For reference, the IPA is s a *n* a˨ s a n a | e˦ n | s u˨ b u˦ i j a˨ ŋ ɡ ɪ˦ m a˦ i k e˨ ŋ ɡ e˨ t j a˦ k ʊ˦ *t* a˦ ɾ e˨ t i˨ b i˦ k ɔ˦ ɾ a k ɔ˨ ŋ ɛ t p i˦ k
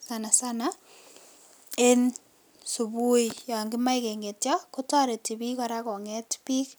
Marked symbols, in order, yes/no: yes, yes

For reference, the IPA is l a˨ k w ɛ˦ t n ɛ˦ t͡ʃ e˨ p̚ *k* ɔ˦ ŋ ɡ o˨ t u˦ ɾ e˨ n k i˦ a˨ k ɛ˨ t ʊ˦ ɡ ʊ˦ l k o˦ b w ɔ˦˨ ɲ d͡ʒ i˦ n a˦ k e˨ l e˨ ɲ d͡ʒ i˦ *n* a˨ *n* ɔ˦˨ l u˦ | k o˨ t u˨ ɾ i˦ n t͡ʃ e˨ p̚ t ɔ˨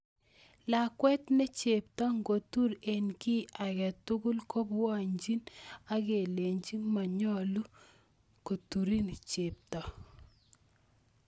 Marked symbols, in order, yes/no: no, no, no

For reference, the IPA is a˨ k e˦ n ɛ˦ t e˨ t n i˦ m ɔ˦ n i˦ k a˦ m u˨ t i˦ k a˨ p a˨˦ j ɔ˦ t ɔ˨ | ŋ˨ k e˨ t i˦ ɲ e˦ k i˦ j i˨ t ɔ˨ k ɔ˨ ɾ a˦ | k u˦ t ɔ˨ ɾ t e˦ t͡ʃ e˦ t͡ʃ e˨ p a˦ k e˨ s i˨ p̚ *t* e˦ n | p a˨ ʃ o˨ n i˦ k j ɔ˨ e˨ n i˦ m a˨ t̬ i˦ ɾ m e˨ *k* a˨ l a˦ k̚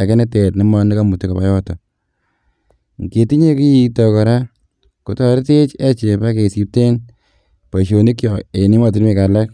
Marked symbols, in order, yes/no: yes, yes

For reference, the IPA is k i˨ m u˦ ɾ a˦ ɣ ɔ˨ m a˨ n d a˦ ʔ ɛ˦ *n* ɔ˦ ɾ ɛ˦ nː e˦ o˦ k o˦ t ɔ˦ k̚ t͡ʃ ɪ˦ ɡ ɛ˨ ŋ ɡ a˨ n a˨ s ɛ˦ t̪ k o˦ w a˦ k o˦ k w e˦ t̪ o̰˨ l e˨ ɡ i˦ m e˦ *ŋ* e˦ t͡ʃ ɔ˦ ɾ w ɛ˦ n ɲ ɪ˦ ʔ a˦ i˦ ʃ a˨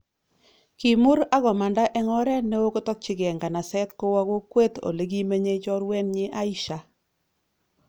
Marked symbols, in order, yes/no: no, no

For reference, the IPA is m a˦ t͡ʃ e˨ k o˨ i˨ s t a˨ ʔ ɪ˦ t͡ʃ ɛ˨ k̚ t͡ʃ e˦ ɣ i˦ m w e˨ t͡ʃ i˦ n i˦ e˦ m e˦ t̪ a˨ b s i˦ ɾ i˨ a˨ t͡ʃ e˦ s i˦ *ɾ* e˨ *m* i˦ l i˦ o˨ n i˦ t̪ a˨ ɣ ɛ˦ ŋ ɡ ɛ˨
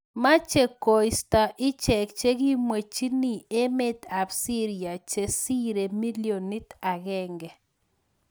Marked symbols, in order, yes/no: yes, yes

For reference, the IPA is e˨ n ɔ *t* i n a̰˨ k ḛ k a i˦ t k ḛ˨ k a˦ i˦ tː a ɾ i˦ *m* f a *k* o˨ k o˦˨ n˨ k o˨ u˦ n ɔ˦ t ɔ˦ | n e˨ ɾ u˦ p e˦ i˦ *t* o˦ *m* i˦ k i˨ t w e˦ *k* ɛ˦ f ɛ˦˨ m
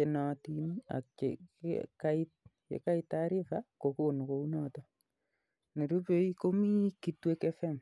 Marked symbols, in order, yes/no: yes, no, yes, no, yes, yes

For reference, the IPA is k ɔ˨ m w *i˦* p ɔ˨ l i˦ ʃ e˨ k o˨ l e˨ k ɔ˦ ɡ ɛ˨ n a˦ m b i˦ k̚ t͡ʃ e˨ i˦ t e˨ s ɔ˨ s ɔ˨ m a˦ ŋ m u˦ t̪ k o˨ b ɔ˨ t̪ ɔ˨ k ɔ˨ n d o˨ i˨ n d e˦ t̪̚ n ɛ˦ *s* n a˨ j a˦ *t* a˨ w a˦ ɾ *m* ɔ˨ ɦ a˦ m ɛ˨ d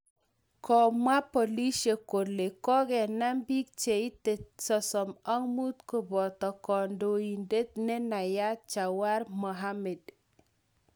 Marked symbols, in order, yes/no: no, no, no, yes

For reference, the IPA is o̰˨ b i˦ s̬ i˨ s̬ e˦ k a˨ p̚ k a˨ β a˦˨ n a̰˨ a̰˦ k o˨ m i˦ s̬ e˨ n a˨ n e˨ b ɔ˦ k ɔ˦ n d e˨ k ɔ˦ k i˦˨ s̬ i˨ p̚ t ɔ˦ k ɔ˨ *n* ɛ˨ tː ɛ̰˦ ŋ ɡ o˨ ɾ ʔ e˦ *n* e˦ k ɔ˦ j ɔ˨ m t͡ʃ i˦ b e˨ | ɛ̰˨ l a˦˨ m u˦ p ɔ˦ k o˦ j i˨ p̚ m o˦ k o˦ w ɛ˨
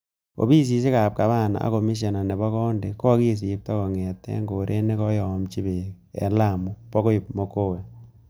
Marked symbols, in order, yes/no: no, yes

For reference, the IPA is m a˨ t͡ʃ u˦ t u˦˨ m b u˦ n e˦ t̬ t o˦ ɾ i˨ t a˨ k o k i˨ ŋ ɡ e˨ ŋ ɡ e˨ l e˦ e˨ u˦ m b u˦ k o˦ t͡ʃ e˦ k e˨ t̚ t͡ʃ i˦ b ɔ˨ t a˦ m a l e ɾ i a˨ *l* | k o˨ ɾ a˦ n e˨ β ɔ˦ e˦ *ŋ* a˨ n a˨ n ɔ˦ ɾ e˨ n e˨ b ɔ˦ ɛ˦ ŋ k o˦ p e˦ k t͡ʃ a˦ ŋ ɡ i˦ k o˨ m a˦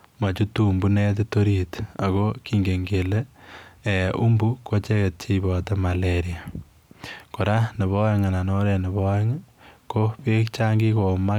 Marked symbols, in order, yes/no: no, yes

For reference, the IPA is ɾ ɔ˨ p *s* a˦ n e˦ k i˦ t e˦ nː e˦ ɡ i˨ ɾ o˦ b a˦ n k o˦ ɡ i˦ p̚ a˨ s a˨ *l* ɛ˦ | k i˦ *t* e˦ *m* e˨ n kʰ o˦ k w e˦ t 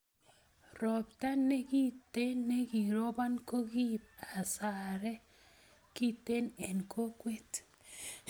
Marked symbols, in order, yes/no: no, no, yes, no

